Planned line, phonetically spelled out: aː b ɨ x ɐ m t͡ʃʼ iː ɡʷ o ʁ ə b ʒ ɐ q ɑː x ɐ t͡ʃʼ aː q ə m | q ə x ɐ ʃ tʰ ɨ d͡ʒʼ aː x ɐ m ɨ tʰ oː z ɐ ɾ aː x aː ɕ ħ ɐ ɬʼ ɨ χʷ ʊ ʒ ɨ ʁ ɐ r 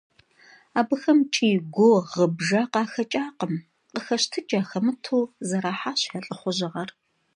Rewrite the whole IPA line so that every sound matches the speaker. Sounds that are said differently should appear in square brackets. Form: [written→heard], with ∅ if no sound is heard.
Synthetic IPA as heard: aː b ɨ x ɐ m t͡ʃʼ iː ɡʷ o ʁ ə b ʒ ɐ q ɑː x ɐ t͡ʃʼ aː q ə m | q ə x ɐ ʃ tʰ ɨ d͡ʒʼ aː x ɐ m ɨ tʰ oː z ɐ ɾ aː [x→ħ] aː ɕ ħ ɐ ɬʼ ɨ χʷ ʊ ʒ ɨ ʁ ɐ r